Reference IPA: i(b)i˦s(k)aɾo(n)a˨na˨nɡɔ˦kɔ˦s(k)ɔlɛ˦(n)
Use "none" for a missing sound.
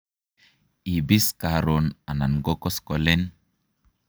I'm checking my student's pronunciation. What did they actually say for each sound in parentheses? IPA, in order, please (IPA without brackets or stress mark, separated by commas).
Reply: b, k, n, k, n